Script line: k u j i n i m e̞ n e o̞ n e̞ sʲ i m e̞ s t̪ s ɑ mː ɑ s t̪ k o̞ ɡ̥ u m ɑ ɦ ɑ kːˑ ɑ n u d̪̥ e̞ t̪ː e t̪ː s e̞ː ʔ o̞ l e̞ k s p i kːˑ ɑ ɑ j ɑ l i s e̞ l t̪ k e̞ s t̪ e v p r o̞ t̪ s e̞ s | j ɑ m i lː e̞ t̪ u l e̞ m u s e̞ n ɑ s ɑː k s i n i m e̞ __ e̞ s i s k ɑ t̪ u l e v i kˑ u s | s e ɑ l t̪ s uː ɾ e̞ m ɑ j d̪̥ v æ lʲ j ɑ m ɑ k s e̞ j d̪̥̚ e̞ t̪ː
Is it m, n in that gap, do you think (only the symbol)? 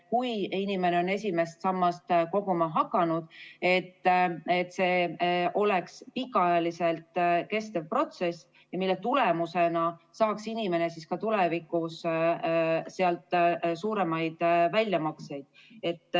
n